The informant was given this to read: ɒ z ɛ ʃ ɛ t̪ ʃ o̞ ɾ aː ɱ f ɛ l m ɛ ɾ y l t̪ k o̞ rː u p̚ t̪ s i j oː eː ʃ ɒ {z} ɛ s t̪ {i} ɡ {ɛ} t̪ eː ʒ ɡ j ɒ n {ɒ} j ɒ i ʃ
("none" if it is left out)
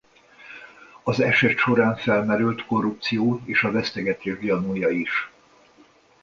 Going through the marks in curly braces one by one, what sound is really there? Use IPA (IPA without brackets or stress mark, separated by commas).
v, ɛ, ɛ, u